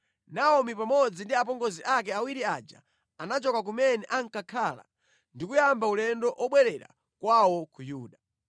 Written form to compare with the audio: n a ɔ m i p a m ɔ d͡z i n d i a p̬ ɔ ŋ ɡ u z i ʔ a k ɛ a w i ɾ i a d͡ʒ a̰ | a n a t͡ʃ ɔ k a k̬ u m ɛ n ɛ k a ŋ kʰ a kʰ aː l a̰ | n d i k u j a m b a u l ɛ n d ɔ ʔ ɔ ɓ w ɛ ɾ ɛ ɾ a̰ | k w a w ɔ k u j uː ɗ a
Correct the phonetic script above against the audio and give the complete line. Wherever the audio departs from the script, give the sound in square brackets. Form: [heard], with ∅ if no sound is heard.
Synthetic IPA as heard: n a ɔ m i p a m ɔ d͡z i n d i a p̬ ɔ ŋ ɡ [ɔ] z i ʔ a k ɛ a w i ɾ i a d͡ʒ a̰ | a n a t͡ʃ ɔ k a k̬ u m ɛ n ɛ [ʔ] a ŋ [k] a kʰ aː l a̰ | n d i k u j a m b a u l ɛ n d ɔ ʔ ɔ ɓ w ɛ ɾ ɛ ɾ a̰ | k w a w ɔ k u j uː ɗ a